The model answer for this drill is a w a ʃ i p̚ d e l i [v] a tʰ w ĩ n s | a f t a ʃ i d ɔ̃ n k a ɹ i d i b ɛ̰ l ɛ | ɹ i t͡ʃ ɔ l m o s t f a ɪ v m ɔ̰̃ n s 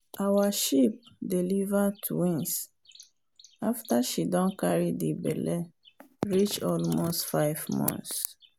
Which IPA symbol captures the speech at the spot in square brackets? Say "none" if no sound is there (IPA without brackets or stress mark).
v